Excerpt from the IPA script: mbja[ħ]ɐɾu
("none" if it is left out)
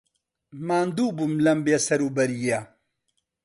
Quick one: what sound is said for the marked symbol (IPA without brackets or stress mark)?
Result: s